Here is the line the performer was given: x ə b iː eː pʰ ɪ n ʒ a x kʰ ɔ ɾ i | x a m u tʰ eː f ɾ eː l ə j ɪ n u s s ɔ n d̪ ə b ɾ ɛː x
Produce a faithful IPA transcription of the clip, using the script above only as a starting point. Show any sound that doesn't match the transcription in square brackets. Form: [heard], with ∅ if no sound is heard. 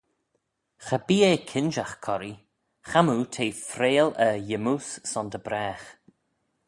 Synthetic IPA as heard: x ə b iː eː [kʰ] ɪ n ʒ a x kʰ ɔ ɾ i | x a m u tʰ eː f ɾ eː l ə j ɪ [m] u s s ɔ n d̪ ə b ɾ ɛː x